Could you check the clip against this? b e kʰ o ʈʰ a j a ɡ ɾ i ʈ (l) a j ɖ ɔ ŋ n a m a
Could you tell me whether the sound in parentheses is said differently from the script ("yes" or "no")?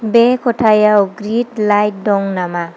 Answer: no